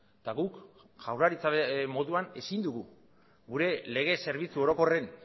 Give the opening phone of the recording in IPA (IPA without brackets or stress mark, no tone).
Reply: t̪